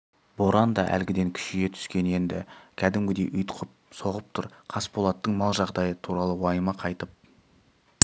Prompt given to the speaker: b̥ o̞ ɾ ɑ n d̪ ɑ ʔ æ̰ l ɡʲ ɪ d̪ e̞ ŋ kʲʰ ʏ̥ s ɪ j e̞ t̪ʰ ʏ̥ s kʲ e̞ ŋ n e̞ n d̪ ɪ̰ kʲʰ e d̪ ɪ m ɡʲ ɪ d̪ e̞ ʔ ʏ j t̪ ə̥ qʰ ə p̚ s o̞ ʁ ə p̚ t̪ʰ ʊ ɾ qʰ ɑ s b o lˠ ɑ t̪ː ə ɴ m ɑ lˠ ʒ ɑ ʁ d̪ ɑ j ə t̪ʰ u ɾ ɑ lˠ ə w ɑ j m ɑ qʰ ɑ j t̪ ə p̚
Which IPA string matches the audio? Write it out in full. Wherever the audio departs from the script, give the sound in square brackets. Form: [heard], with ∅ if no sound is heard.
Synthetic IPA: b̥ o̞ ɾ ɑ n d̪ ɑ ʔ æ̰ l ɡʲ ɪ d̪ e̞ ŋ kʲʰ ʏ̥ [ʃ] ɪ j e̞ t̪ʰ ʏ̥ s kʲ e̞ [∅] n e̞ n d̪ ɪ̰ kʲʰ [æ] d̪ ɪ m ɡʲ ɪ d̪ e̞ ʔ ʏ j t̪ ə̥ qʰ ə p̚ s o̞ ʁ ə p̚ t̪ʰ ʊ ɾ qʰ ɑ s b o lˠ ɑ t̪ː ə ɴ m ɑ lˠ ʒ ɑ ʁ d̪ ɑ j ə t̪ʰ u ɾ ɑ lˠ ə w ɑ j m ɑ qʰ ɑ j t̪ ə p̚